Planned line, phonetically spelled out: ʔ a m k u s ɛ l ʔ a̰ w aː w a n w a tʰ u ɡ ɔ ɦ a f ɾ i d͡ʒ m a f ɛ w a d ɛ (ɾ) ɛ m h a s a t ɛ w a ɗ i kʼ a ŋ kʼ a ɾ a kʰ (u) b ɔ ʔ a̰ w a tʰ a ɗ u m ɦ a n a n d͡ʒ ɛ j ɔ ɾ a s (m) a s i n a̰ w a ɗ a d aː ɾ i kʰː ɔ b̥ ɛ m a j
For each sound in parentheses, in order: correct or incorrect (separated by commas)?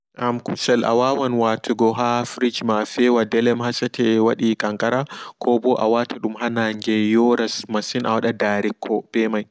incorrect, incorrect, correct